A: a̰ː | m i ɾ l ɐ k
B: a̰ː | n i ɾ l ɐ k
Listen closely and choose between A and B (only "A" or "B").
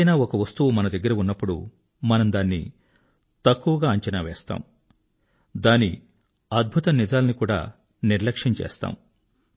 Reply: B